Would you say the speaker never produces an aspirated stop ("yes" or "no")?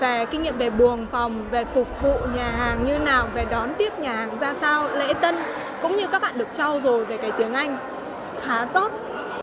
yes